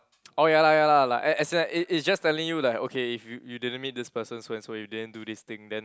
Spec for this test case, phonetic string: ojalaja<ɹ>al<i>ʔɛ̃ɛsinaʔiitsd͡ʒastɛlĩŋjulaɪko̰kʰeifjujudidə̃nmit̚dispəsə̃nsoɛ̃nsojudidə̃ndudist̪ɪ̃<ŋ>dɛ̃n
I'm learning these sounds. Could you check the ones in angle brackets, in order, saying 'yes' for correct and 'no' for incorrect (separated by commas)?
no, no, yes